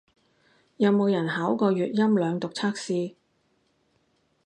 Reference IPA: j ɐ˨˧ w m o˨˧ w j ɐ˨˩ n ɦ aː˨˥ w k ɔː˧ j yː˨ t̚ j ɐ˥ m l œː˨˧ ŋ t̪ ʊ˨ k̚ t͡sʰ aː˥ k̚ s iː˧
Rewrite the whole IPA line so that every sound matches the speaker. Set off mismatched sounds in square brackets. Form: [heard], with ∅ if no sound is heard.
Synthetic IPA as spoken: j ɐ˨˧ w m o˨˧ w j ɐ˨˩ n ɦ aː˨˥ w k ɔː˧ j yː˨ t̚ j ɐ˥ m l œː˨˧ ŋ t̪ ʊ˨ k̚ t͡sʰ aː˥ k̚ s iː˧